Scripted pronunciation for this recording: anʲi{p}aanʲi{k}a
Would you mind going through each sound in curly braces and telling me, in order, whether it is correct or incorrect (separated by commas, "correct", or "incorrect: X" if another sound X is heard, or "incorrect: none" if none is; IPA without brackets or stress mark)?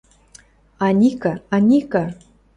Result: incorrect: k, correct